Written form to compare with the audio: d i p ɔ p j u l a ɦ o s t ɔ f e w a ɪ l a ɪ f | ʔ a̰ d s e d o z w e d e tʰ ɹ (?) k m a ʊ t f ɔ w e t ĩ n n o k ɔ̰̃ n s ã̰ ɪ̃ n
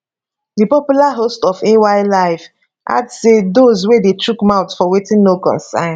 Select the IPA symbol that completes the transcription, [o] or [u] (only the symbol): u